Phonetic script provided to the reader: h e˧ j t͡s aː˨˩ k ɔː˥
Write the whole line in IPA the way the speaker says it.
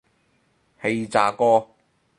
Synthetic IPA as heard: h e˧ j t͡s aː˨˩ k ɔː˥